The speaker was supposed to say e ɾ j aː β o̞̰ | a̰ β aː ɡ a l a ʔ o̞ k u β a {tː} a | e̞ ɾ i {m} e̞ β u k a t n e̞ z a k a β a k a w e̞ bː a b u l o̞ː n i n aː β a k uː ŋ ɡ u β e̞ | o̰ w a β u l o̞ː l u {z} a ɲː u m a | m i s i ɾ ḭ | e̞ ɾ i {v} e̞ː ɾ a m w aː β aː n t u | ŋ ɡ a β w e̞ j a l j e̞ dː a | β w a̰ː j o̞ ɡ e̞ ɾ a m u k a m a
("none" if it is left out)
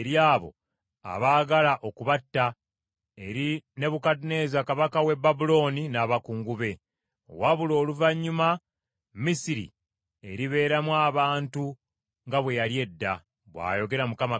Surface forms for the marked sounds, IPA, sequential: tː, n, v, β

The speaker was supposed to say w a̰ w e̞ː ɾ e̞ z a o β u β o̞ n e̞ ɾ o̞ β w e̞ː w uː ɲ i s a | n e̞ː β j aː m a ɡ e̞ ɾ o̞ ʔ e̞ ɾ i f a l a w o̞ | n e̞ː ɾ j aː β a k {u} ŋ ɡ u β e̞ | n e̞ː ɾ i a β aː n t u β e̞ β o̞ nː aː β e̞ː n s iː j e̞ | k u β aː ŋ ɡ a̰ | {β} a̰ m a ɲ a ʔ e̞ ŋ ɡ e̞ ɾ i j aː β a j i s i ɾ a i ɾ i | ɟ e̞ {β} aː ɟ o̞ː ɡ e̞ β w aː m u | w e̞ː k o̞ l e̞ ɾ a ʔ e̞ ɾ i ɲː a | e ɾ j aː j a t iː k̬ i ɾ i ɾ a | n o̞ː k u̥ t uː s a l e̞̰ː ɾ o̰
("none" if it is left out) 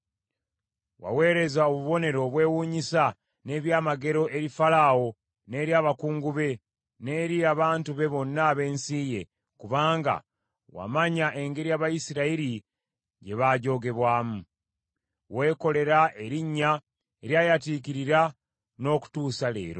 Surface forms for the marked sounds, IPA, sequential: uː, w, β

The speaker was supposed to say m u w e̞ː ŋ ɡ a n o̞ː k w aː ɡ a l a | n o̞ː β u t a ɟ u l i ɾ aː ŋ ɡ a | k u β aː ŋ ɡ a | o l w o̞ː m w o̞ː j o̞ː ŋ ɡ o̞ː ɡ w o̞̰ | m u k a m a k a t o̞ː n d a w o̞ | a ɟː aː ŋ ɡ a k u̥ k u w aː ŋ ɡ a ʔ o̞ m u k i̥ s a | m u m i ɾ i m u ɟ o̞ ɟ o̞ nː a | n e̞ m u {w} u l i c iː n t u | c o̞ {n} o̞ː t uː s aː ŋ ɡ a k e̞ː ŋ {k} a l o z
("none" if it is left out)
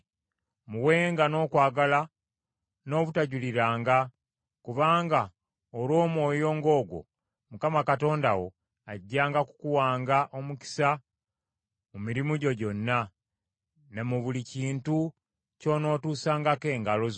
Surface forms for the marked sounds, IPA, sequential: β, n, ɡ

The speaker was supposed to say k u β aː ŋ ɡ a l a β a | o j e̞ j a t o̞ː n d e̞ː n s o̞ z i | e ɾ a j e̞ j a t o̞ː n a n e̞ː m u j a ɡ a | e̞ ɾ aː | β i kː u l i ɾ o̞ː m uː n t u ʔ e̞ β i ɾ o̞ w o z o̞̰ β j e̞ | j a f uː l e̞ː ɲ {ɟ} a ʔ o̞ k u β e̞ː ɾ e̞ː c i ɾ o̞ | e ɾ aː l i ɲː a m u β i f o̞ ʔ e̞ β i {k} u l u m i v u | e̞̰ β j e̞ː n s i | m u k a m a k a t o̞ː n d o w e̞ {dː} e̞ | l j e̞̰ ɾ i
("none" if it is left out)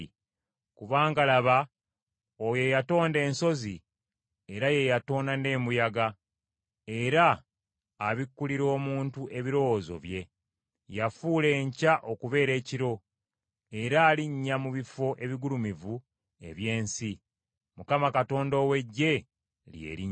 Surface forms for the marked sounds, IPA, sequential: c, ɡ, ɟː

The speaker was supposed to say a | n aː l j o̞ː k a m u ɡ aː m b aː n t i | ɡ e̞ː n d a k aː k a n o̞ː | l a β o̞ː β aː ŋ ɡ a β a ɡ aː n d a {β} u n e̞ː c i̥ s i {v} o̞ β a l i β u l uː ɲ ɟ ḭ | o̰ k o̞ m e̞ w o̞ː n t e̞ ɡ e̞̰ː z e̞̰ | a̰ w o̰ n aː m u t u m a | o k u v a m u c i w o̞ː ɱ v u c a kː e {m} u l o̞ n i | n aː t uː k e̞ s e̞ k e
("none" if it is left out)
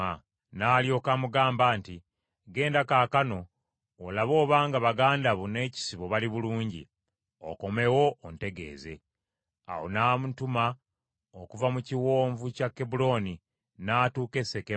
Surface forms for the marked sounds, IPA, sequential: β, β, b

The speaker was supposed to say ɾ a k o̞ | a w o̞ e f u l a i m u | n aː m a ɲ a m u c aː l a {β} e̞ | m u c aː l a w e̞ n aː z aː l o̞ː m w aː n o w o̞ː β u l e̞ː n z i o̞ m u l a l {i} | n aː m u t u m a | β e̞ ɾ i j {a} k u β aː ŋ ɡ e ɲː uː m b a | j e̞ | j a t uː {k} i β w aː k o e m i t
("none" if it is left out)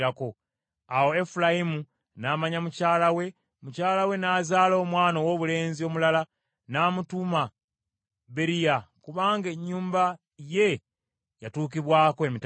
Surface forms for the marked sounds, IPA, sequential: w, a, a, k

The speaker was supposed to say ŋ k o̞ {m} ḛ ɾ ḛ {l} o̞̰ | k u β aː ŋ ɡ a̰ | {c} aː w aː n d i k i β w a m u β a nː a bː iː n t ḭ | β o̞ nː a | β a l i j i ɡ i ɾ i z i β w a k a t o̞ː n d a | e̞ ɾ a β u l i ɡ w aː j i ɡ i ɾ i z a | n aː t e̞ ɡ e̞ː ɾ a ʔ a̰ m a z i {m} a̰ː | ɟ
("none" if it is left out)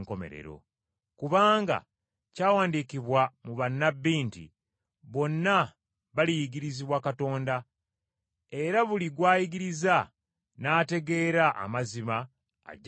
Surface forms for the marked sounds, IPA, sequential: m, ɾ, c, m

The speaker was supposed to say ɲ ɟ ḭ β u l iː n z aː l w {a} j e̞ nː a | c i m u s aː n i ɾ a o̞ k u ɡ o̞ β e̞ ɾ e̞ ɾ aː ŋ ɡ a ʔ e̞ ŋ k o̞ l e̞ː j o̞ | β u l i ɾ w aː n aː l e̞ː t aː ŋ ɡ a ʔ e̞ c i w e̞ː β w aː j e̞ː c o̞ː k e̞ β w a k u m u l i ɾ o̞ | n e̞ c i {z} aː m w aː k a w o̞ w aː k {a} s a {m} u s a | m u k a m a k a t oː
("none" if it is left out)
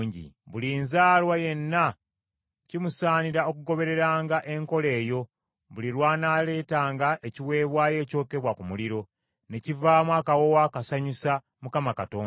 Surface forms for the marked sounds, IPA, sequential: a, v, a, ɲ

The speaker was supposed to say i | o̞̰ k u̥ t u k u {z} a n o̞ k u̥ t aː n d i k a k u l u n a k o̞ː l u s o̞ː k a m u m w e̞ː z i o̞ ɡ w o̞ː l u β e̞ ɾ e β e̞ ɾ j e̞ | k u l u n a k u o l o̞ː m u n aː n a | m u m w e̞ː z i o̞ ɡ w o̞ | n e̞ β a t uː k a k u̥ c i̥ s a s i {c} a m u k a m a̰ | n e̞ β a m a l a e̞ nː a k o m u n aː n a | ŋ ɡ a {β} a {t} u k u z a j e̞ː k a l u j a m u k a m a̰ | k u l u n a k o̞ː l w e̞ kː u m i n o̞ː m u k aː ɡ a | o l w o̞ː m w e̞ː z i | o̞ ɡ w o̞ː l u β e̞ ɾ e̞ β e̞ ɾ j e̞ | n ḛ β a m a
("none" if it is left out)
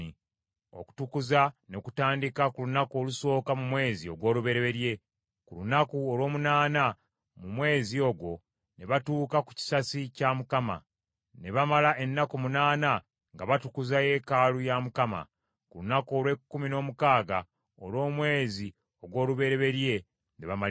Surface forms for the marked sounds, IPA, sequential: z, c, β, t

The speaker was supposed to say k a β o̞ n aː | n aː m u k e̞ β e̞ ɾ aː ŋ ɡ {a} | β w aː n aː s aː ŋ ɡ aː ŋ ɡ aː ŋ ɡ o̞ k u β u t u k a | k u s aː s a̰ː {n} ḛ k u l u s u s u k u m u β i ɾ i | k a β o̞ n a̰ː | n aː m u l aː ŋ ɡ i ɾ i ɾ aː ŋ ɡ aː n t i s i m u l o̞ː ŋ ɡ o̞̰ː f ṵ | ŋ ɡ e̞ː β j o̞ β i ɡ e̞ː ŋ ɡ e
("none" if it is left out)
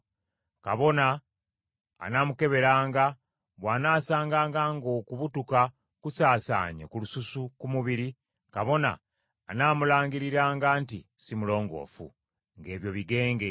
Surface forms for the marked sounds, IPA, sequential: a, ɲ

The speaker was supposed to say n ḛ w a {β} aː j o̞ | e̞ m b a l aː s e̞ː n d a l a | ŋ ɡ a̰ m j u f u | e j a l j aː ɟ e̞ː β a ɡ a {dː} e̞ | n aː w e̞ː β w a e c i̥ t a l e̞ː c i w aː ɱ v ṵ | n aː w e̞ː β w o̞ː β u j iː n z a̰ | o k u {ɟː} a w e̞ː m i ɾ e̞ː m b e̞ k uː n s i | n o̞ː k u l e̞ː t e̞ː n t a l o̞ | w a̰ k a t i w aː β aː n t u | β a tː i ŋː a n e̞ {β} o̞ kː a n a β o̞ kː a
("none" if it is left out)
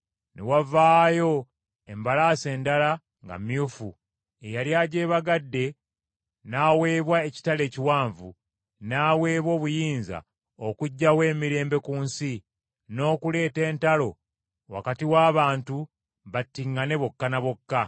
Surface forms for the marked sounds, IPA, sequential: v, dː, ɟː, β

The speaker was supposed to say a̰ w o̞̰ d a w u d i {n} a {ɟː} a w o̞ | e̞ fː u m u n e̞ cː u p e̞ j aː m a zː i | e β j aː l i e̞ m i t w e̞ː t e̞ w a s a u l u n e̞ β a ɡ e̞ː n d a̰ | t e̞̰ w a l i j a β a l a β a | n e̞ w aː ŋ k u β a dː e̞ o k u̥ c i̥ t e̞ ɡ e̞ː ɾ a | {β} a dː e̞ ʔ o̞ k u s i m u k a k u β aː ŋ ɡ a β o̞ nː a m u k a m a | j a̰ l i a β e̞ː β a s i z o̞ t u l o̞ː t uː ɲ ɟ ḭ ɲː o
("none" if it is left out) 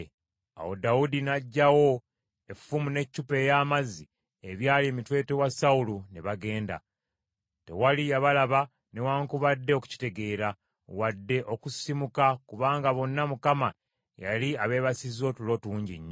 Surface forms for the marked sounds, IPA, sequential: n, ɟː, w

